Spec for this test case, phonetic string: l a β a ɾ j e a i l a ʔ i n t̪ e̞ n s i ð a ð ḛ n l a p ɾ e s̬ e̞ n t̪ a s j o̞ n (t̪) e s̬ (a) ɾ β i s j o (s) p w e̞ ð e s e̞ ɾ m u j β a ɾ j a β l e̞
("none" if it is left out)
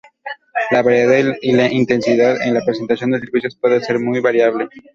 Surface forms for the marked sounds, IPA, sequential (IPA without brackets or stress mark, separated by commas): d̪, e, s